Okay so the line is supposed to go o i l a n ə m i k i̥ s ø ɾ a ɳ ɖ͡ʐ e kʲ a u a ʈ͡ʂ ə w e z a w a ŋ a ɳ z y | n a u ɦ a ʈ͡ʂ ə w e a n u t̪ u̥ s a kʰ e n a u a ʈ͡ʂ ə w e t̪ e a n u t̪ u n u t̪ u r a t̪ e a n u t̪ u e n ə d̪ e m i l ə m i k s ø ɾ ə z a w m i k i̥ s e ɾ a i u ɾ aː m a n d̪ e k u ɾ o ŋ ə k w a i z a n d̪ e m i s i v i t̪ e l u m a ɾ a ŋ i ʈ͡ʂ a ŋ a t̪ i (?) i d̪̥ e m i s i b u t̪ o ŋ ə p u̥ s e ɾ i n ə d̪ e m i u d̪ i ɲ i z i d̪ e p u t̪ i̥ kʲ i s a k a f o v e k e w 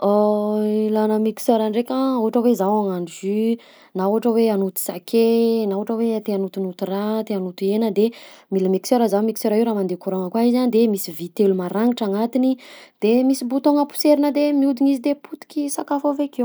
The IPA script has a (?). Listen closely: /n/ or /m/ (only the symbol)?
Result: n